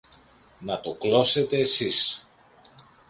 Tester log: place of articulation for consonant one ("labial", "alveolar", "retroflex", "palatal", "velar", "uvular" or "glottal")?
alveolar